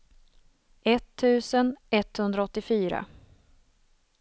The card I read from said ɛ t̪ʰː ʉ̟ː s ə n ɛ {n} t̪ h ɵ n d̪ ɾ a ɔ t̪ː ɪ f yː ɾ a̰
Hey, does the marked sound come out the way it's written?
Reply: no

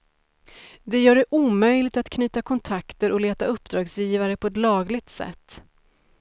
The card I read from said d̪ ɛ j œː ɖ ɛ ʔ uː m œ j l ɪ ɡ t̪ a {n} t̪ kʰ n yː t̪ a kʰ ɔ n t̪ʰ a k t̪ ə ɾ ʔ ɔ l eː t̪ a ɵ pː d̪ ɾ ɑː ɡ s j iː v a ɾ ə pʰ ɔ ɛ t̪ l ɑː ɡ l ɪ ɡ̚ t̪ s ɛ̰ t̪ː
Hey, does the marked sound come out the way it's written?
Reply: no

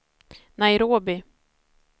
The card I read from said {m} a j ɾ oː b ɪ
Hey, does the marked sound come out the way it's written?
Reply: no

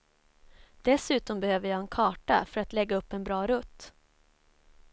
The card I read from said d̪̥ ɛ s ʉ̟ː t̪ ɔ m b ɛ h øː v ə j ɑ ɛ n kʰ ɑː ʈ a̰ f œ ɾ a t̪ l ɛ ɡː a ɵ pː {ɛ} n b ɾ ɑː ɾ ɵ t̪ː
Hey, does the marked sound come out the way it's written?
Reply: yes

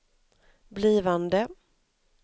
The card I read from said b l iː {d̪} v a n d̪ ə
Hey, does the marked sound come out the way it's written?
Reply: no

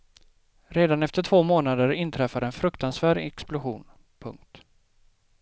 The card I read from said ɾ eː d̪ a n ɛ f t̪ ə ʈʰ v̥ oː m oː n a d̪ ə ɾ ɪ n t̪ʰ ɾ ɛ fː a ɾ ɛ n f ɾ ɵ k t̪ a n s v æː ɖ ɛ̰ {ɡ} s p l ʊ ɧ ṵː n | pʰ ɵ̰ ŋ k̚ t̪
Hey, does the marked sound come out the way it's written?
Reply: no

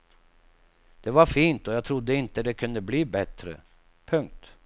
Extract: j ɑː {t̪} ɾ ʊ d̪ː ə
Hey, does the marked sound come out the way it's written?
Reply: no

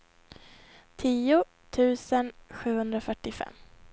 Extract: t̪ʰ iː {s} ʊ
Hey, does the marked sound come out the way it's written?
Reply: no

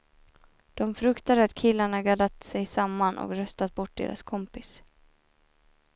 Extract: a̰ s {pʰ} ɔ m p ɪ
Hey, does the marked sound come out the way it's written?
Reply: no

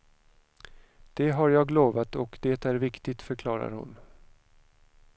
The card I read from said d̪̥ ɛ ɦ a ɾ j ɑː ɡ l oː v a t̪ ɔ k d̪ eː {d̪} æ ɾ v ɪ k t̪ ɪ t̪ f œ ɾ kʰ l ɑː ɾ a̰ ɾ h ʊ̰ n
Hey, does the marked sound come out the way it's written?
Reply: no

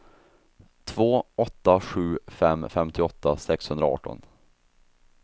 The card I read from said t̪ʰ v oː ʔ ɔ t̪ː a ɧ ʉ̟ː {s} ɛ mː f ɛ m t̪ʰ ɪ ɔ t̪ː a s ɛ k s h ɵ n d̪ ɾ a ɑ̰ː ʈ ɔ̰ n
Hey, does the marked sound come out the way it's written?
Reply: no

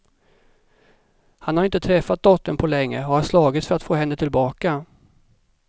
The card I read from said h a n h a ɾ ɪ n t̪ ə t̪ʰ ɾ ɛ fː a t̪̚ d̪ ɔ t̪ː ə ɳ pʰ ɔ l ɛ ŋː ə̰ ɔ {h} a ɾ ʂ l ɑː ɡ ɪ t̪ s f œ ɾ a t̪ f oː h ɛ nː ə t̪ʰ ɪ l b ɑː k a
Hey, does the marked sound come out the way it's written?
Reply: yes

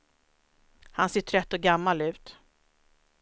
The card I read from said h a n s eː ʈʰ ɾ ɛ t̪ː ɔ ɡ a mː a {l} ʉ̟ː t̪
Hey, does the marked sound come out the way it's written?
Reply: yes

